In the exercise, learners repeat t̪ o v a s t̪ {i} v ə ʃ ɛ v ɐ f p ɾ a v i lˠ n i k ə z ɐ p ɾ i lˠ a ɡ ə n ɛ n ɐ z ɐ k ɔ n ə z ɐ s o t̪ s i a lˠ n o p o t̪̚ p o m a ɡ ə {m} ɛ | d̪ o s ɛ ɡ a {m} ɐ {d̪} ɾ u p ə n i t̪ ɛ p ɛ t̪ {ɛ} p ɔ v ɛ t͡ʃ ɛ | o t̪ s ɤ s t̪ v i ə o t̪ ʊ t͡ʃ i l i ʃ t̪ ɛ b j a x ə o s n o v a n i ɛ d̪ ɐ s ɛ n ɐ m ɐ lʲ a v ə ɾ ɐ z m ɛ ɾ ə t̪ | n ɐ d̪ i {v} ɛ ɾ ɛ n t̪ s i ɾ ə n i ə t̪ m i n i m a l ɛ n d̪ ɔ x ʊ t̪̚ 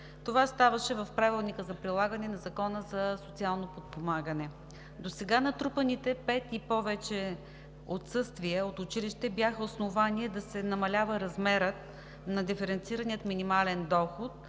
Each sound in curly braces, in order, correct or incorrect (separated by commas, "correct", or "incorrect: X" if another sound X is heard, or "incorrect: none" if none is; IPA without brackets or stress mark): incorrect: a, incorrect: n, incorrect: n, incorrect: t̪, incorrect: i, incorrect: f